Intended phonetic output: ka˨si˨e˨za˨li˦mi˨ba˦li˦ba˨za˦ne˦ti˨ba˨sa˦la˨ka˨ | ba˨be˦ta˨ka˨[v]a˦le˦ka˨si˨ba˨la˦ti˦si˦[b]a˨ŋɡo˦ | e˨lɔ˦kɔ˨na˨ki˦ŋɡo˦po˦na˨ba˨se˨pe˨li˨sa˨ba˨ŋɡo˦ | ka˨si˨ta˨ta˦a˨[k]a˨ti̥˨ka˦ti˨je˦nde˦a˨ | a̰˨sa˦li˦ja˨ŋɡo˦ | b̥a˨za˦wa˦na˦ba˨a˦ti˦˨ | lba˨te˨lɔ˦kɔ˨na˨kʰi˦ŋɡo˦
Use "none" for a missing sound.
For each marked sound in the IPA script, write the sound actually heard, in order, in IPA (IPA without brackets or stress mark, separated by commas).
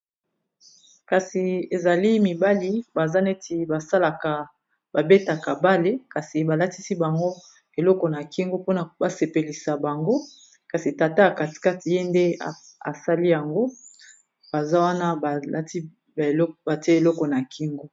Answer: b, b, k